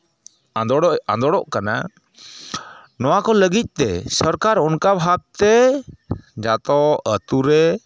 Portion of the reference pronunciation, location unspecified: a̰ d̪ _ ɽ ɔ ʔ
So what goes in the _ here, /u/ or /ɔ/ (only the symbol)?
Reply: ɔ